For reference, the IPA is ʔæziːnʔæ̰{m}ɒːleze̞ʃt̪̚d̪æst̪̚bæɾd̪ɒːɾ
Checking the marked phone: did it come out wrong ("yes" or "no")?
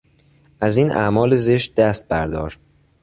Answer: no